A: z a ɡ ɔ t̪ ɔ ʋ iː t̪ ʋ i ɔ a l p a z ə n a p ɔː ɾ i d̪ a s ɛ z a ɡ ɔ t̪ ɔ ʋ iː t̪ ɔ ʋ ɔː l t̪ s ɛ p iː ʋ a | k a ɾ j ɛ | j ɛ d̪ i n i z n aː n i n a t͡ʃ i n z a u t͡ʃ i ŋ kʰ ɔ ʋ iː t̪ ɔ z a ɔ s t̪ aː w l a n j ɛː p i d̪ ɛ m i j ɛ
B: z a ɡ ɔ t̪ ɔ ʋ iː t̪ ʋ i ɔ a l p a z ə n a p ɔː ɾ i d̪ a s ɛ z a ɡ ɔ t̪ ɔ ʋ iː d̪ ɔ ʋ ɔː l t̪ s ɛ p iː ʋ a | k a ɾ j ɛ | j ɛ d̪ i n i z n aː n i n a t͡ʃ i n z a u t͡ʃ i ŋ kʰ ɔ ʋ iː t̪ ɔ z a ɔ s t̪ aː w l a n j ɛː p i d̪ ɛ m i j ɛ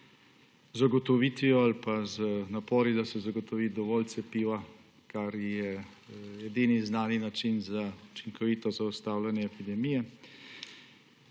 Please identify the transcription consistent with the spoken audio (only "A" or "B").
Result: B